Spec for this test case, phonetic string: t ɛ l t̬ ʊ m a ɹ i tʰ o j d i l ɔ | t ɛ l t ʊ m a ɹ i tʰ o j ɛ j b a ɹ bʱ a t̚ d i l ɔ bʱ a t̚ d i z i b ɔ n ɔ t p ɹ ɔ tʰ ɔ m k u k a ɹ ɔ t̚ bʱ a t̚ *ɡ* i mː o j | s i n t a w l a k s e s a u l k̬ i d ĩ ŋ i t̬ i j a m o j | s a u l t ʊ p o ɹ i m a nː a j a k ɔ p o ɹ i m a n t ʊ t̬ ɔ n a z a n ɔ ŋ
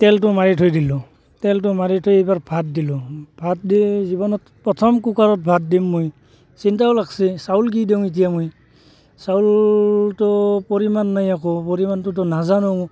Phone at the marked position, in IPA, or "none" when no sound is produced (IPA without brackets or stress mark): d